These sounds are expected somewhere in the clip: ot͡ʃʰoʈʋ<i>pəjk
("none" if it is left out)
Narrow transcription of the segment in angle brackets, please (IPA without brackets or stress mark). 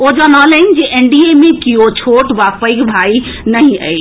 a